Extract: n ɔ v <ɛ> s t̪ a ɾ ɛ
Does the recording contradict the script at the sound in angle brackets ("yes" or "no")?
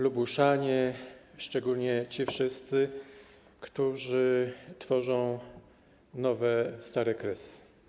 no